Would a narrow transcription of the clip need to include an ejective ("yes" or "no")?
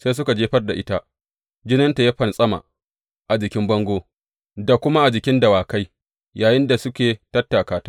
yes